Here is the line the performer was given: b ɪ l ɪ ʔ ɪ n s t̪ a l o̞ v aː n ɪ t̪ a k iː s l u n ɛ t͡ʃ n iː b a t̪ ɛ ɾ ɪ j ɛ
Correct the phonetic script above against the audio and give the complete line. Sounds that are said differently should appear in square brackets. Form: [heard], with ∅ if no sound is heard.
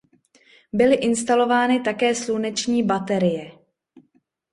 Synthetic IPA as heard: b ɪ l ɪ ʔ ɪ n s t̪ a l o̞ v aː n ɪ t̪ a k [ɛː] s l u n ɛ t͡ʃ [ɲ] iː b a t̪ ɛ ɾ ɪ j ɛ